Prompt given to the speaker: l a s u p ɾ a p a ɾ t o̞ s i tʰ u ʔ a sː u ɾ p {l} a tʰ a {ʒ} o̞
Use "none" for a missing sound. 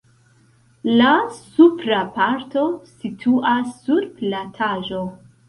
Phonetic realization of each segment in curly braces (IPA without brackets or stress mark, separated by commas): l, ʒ